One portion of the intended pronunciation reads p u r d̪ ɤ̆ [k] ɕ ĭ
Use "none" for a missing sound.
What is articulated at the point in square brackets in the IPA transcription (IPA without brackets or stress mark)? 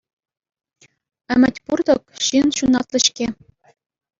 k